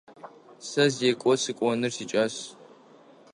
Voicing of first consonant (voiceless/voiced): voiceless